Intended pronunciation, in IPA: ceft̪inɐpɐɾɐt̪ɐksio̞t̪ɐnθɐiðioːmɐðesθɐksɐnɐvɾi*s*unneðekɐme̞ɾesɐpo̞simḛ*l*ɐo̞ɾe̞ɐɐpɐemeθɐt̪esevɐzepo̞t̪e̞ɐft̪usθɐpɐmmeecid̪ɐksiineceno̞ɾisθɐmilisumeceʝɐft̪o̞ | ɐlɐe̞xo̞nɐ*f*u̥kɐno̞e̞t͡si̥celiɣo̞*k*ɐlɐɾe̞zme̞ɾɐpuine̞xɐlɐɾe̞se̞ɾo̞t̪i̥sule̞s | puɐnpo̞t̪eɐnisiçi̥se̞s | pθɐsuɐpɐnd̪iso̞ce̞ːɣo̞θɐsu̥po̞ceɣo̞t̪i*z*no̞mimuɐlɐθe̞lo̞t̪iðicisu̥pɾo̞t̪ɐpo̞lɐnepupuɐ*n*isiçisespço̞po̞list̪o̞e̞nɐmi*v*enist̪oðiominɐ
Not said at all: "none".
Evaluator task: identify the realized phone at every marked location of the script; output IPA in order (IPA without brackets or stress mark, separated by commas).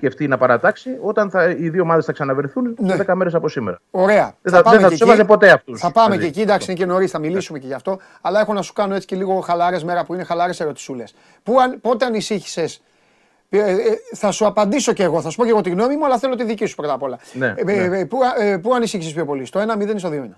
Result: θ, ɾ, s, x, ɣ, n, ð